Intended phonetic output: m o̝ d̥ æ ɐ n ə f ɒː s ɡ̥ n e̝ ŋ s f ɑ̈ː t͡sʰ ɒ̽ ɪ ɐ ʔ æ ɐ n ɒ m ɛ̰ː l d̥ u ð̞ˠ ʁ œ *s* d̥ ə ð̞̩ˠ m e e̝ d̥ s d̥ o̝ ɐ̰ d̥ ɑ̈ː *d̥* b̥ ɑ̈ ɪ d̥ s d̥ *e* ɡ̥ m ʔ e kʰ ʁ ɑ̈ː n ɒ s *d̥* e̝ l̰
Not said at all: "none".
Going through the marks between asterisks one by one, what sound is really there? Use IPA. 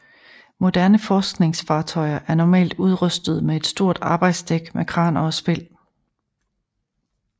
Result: s, none, e, b̥

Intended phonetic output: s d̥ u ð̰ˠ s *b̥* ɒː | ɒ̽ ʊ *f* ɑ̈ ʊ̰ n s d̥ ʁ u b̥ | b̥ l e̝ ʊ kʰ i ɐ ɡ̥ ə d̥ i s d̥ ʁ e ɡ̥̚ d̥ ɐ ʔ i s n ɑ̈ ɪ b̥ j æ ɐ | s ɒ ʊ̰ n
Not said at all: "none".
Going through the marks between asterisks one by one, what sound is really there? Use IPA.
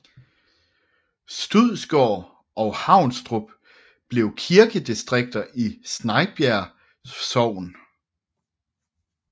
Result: ɡ̥, h

